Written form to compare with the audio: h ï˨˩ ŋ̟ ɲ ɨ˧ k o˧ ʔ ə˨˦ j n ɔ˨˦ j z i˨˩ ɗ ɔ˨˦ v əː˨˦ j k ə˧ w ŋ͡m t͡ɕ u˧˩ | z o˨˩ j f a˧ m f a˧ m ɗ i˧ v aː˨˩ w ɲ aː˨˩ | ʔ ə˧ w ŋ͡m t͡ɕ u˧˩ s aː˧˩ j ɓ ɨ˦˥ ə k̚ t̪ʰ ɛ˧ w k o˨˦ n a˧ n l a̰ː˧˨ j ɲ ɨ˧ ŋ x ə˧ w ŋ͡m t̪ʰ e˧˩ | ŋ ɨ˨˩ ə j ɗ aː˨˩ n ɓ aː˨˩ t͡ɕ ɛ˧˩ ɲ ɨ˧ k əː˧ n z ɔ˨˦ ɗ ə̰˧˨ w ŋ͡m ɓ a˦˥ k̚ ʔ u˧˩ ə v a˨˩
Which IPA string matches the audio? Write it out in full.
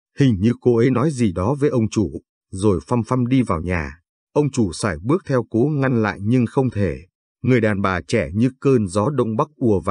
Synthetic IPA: h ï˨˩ ŋ̟ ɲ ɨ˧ k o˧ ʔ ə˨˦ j n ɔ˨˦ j z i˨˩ ɗ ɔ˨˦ v əː˨˦ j ʔ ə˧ w ŋ͡m t͡ɕ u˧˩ | z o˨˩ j f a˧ m f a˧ m ɗ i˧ v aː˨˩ w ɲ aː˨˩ | ʔ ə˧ w ŋ͡m t͡ɕ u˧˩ s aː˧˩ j ɓ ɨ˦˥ ə k̚ t̪ʰ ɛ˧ w k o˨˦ ŋ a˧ n l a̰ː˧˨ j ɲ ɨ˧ ŋ x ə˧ w ŋ͡m t̪ʰ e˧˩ | ŋ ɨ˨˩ ə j ɗ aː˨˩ n ɓ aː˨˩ t͡ɕ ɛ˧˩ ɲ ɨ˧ k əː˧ n z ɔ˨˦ ɗ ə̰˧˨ w ŋ͡m ɓ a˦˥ k̚ ʔ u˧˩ ə v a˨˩

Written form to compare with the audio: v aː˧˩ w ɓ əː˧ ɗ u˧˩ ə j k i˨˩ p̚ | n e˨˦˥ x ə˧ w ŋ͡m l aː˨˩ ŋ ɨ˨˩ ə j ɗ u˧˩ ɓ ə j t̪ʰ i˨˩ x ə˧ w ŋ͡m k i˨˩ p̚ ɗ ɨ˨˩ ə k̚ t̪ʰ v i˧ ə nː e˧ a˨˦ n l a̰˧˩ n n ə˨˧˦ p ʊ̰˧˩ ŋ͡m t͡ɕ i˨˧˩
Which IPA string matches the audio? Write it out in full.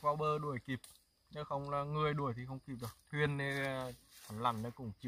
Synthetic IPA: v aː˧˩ w ɓ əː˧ ɗ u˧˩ ə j k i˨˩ p̚ | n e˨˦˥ x ə˧ w ŋ͡m l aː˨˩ ŋ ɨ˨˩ ə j ɗ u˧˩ ə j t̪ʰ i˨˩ x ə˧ w ŋ͡m k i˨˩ p̚ ɗ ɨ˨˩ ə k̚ t̪ʰ w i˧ ə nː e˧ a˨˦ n l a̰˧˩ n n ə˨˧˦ k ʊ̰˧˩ ŋ͡m t͡ɕ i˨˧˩

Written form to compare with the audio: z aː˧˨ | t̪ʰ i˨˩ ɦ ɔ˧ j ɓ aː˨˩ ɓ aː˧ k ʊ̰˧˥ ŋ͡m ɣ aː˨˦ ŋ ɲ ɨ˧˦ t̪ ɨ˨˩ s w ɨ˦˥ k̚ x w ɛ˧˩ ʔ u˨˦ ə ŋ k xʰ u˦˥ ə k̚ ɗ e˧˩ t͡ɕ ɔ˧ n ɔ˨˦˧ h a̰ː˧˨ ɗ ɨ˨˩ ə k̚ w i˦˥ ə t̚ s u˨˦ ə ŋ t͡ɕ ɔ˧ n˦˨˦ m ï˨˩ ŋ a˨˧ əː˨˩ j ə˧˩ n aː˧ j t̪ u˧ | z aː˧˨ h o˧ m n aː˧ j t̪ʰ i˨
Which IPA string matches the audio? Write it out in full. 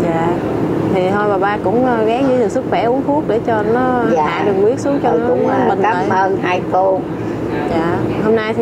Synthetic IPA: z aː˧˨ | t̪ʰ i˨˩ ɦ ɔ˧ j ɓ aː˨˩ ɓ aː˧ k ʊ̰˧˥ ŋ͡m ɣ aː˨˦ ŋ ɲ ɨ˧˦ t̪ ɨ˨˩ s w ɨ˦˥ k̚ x w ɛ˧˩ ʔ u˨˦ ə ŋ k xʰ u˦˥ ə k̚ ɗ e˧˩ t͡ɕ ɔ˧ n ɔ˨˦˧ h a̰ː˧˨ ɗ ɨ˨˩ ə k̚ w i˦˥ ə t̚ s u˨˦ ə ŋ t͡ɕ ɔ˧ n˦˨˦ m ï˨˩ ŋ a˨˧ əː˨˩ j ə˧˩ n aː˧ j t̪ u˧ | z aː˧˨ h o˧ m n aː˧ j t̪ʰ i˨

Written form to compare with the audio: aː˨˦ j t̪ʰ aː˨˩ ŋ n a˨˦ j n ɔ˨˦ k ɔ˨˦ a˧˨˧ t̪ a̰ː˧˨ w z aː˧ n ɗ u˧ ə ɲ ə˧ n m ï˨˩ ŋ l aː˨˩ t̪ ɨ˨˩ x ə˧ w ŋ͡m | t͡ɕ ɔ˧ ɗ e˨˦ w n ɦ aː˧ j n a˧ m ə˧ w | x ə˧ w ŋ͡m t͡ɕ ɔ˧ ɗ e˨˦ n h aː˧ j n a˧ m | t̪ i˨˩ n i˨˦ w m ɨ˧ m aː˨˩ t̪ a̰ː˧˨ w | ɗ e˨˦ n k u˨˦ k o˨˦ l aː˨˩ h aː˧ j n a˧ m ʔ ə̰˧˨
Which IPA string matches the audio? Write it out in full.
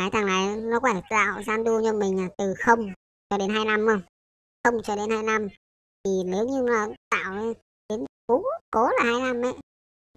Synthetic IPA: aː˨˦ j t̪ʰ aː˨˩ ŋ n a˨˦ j n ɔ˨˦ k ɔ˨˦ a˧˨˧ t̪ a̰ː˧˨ w z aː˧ n ɗ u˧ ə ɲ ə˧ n m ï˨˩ ŋ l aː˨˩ t̪ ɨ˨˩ x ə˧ w ŋ͡m | t͡ɕ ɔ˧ ɗ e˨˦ n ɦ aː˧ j n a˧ m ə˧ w | x ə˧ w ŋ͡m t͡ɕ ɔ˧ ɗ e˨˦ n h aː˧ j n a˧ m | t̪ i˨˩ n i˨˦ w ɲ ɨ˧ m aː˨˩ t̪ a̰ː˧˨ w | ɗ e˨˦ n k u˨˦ k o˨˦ l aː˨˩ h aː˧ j n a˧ m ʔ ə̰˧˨

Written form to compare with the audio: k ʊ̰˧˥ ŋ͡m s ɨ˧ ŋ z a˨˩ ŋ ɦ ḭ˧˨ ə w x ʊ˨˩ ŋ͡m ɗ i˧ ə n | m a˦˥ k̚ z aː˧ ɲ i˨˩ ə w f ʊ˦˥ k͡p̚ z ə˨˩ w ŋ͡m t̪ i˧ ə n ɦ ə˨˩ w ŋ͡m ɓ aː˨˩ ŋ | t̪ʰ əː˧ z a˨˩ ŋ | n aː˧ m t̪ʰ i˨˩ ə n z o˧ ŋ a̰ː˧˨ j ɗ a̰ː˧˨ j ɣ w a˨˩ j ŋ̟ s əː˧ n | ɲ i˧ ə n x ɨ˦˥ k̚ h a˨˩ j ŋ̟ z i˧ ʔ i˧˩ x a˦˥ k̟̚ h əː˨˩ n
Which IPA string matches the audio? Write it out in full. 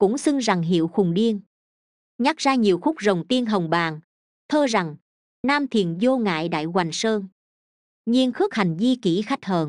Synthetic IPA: k ʊ̰˧˥ ŋ͡m s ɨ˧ ŋ z a˨˩ ŋ ɦ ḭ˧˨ ə w x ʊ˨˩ ŋ͡m ɗ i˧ ə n | ɲ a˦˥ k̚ z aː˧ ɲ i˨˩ ə w x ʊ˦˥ k͡p̚ z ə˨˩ w ŋ͡m t̪ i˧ ə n ɦ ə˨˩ w ŋ͡m ɓ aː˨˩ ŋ | t̪ʰ əː˧ z a˨˩ ŋ | n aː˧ m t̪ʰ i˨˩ ə n z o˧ ŋ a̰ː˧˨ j ɗ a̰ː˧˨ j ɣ w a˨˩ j ŋ̟ s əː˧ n | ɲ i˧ ə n x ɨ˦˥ k̚ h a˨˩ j ŋ̟ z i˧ k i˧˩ x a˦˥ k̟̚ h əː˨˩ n

